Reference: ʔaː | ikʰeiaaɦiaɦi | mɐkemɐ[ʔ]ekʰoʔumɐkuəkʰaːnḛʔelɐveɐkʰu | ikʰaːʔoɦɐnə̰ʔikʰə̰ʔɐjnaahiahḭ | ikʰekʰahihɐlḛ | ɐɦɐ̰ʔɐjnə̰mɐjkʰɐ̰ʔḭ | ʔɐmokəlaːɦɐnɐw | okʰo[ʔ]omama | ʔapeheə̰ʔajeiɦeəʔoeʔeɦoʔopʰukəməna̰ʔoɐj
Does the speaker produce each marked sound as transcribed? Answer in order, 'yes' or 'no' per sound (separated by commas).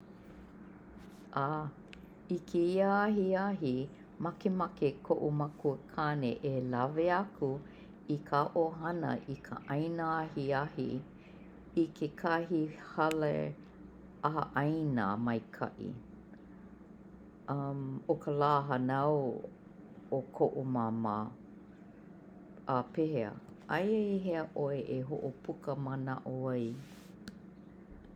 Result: no, yes